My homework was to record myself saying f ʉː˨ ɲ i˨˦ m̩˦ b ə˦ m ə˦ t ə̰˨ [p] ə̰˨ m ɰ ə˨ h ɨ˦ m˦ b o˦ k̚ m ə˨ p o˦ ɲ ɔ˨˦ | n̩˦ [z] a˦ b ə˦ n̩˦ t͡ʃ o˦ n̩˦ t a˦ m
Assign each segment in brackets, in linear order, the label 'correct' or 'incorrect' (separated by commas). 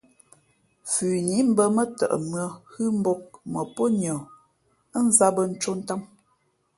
incorrect, correct